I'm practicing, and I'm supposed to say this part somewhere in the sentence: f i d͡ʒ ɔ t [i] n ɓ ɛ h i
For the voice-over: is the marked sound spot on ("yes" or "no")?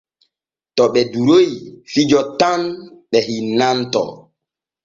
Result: no